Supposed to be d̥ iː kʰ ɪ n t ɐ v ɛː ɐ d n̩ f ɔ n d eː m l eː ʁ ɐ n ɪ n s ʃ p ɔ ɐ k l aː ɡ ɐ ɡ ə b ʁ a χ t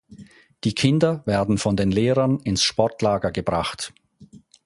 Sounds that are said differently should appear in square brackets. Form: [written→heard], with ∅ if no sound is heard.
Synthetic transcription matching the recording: d̥ iː kʰ ɪ n [t→d] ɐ v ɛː ɐ d n̩ f ɔ n d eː [m→n] l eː ʁ ɐ n ɪ n s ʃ p ɔ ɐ [k→t] l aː ɡ ɐ ɡ ə b ʁ a χ t